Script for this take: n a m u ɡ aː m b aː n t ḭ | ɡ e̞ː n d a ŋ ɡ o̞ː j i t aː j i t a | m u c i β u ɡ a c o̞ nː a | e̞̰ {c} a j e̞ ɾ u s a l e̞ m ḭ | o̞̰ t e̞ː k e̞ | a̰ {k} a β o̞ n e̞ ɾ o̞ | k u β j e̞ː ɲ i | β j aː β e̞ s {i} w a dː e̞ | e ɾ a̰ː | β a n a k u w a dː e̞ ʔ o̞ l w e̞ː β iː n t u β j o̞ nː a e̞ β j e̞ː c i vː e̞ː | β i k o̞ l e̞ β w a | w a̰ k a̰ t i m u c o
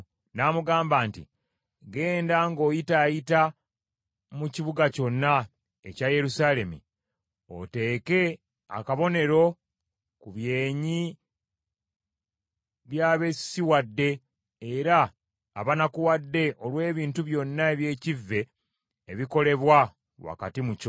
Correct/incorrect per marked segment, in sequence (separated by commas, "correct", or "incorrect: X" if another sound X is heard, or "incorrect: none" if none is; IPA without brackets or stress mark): correct, correct, correct